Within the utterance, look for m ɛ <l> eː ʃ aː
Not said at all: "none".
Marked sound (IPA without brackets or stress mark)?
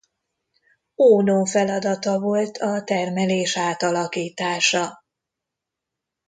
l